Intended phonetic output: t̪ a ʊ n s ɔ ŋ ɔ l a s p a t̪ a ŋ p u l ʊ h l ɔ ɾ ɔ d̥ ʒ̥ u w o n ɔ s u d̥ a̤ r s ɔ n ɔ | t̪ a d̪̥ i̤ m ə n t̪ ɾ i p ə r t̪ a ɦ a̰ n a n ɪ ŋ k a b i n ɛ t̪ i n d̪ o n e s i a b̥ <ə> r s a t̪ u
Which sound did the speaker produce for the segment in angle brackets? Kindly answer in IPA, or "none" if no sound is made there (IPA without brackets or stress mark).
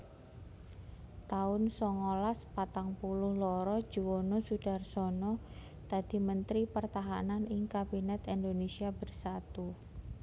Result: ə